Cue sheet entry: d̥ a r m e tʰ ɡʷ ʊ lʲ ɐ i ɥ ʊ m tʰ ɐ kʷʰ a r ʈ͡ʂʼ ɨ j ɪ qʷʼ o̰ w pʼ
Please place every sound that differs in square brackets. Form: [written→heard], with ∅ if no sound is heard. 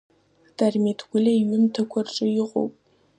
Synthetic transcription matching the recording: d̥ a r m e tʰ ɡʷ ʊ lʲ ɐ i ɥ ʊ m tʰ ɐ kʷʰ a r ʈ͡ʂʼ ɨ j ɪ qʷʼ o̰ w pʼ